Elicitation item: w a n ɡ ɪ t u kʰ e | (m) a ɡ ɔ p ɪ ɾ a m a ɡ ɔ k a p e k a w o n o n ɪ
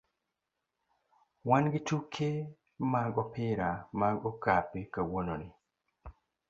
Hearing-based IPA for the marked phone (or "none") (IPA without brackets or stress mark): m